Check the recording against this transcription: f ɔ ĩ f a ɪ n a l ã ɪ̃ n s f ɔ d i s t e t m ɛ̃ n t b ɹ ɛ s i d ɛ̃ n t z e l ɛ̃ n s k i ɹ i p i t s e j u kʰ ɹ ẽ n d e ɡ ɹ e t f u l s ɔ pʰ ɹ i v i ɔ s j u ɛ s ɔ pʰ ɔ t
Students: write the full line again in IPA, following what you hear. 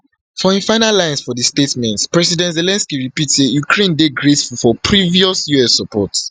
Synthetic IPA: f ɔ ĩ f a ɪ n a l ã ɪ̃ n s f ɔ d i s t e t m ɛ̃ n t p ɹ ɛ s i d ɛ̃ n t z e l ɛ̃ n s k i ɹ i p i t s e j u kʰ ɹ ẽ n d e ɡ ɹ e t f u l f ɔ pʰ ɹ i v i ɔ s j u ɛ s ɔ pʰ ɔ t